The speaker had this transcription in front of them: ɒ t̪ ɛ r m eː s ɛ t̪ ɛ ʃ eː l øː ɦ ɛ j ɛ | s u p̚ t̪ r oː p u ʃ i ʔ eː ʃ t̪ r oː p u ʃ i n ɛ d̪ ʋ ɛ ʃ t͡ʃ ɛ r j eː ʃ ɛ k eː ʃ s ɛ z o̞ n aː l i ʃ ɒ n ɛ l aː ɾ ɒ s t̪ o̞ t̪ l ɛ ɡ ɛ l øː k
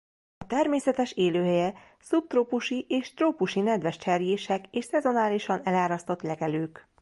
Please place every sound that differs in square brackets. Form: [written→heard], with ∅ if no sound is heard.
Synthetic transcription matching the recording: ɒ t̪ ɛ r m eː s ɛ t̪ ɛ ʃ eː l øː ɦ ɛ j ɛ | s u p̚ t̪ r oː p u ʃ i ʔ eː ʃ t̪ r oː p u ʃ i n ɛ d̪ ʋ ɛ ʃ t͡ʃ ɛ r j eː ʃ ɛ k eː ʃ s ɛ z o̞ n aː l i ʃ ɒ n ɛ l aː ɾ ɒ s t̪ o̞ t̪ l ɛ ɡ ɛ l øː k